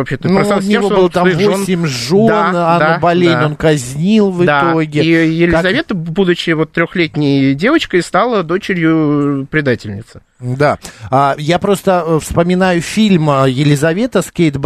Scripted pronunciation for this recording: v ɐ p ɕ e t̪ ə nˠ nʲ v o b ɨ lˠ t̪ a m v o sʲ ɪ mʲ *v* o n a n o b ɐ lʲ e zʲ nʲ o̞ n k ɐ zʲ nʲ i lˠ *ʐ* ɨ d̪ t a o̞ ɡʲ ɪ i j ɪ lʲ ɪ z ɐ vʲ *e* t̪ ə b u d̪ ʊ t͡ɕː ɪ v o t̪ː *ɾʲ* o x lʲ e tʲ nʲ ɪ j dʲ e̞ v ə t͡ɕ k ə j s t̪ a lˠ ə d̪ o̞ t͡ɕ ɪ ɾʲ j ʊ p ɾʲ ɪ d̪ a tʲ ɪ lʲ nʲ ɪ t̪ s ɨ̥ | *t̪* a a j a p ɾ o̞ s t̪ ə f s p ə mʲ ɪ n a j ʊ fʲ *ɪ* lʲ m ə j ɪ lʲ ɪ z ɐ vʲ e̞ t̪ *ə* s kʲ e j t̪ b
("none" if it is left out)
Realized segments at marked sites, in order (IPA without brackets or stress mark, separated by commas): ʐ, v, e, ɾʲ, d̪, i, ə